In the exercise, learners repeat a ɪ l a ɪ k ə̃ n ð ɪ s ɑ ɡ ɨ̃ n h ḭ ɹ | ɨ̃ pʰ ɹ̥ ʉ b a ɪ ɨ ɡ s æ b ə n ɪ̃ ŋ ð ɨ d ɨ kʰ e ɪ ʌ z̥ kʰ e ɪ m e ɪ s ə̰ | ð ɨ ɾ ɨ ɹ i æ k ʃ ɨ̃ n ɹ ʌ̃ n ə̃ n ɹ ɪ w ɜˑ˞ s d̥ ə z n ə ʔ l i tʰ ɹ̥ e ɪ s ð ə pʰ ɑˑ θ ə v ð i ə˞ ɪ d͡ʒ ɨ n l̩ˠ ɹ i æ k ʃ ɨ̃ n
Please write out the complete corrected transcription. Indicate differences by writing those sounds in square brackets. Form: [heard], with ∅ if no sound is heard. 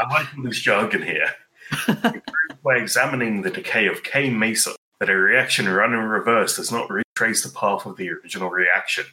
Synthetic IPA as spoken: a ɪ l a ɪ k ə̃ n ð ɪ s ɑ ɡ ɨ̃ n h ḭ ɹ | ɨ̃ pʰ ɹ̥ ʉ b a ɪ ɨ ɡ [z] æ [m] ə n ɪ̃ ŋ ð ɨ d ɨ kʰ e ɪ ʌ [v̥] kʰ e ɪ m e ɪ s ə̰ | ð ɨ ɾ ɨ ɹ i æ k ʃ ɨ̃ n ɹ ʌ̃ n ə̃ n ɹ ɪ [v] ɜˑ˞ s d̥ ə z n ə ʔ [ɹ] i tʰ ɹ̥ e ɪ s ð ə pʰ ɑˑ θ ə v ð i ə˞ ɪ d͡ʒ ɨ n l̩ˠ ɹ i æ k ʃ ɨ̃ n